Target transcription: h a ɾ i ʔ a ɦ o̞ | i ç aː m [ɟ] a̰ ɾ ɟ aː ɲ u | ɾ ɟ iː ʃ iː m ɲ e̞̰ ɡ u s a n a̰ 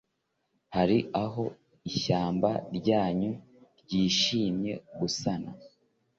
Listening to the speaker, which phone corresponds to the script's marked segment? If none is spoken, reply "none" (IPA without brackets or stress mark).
b